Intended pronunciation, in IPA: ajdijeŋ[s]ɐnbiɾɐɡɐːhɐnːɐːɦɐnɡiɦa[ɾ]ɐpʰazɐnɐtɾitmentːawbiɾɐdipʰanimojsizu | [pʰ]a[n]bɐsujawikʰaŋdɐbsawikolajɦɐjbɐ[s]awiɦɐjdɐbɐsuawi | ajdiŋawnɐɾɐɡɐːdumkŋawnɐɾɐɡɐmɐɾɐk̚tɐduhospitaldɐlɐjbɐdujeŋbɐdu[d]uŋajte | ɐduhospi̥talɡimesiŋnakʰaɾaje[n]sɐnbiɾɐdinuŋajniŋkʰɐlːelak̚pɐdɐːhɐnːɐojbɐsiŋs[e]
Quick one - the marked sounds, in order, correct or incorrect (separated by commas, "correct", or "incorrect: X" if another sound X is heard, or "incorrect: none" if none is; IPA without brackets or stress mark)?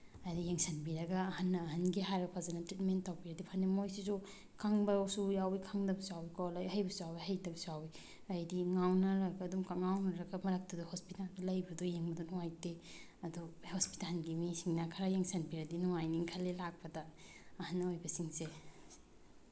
correct, correct, incorrect: kʰ, incorrect: ŋ, correct, incorrect: n, incorrect: ŋ, correct